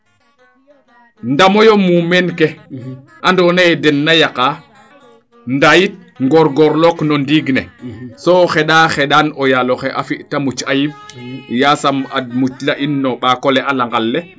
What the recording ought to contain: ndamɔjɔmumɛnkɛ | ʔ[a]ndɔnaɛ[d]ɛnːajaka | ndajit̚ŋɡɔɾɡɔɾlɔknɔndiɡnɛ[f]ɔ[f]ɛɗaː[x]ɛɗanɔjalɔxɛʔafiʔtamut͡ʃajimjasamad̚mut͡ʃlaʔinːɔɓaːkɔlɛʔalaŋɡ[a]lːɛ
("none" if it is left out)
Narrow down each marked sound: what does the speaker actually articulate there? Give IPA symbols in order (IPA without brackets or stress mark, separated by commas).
a, d, s, x, x, a